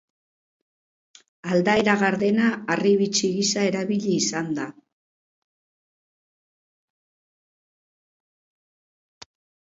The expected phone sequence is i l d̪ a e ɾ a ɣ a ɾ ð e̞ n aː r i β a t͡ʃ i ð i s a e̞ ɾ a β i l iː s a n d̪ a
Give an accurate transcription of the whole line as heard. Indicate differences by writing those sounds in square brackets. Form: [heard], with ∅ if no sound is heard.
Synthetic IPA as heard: [a] l d̪ a e ɾ a ɣ a ɾ ð e̞ n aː r i β [i] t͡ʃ i [ɣ] i s a e̞ ɾ a β i [ʎ] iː s a n d̪ a